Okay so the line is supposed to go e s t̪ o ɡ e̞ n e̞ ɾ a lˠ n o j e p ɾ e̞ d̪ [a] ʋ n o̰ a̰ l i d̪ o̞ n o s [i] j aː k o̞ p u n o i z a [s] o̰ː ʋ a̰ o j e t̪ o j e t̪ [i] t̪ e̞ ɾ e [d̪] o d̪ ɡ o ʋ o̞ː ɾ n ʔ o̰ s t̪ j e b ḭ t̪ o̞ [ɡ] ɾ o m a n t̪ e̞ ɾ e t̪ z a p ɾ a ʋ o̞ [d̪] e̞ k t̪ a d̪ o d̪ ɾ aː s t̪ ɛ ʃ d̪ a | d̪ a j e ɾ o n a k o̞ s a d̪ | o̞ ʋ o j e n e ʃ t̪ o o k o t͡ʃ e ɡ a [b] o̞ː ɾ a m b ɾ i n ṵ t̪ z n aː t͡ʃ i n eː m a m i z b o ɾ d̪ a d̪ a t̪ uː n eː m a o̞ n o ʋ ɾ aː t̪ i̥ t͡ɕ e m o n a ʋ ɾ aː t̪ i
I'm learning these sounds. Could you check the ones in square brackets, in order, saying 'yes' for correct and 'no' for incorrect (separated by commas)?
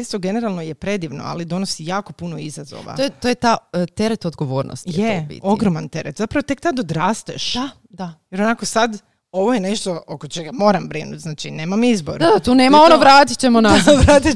no, yes, no, no, no, yes, no, no